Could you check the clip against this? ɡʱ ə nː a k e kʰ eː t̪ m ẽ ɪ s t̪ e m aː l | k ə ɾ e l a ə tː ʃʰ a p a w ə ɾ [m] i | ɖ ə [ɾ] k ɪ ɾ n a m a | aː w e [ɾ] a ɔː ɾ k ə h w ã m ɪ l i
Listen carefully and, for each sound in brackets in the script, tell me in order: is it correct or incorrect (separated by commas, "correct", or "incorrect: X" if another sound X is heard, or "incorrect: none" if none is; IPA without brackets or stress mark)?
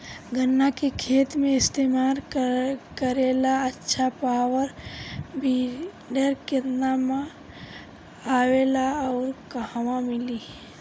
incorrect: b, correct, incorrect: l